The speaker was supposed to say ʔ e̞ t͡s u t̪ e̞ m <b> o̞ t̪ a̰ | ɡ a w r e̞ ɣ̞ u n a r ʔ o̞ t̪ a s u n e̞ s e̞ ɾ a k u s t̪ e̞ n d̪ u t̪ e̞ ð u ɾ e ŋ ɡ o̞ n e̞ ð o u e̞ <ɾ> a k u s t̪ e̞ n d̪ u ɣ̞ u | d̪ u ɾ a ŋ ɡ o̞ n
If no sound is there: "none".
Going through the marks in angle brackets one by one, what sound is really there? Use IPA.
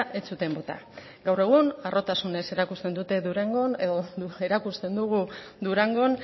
b, ɾ

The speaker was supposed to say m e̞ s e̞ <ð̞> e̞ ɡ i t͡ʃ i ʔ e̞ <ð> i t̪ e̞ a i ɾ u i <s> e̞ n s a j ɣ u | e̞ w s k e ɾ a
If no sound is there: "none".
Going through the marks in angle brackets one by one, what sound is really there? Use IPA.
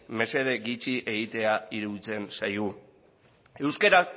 ð̞, ɣ, t͡s

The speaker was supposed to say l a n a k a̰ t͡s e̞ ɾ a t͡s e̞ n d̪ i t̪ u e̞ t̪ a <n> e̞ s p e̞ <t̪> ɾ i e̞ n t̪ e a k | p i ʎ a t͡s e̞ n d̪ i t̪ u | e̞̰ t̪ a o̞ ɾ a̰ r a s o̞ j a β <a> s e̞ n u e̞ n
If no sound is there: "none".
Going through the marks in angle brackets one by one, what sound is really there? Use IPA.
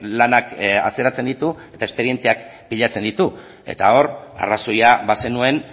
none, none, a

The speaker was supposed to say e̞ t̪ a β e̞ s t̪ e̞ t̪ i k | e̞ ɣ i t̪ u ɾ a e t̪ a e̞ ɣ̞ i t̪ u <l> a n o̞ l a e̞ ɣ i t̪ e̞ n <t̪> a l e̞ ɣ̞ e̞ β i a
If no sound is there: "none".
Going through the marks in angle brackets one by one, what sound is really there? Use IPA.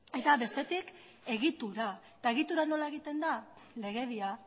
ɾ, d̪

